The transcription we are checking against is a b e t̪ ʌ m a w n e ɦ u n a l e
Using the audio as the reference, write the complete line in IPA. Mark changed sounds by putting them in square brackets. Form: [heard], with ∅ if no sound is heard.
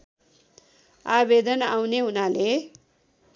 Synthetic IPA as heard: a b e [d̪] ʌ [n] a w n e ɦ u n a l e